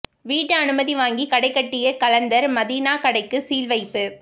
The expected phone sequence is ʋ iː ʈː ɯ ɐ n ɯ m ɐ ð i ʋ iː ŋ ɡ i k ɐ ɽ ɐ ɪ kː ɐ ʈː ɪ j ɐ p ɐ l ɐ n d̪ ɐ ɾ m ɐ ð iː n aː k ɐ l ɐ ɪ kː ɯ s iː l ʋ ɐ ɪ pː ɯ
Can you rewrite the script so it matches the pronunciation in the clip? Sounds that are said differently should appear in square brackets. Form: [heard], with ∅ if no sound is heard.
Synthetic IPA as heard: ʋ iː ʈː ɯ ɐ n ɯ m ɐ ð i ʋ [aː] ŋ ɡ i k ɐ ɽ ɐ ɪ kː ɐ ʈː ɪ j ɐ [k] ɐ l ɐ n d̪ ɐ ɾ m ɐ ð iː n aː k ɐ [ɽ] ɐ ɪ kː ɯ s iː l ʋ ɐ ɪ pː ɯ